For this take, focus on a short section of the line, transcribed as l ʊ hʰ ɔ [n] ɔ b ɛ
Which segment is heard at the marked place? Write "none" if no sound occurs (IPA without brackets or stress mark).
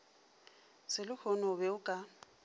n